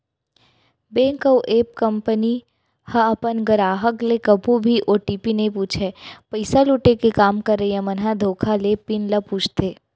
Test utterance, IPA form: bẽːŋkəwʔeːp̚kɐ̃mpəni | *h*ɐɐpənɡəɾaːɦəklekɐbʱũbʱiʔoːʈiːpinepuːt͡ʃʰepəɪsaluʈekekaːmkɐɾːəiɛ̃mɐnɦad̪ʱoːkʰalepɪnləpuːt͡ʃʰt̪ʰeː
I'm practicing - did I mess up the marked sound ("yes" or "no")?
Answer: no